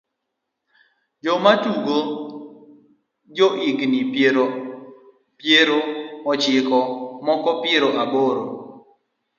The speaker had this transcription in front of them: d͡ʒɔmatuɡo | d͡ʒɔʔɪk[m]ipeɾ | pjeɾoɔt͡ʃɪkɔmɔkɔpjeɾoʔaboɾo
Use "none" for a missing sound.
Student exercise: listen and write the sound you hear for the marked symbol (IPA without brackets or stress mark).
n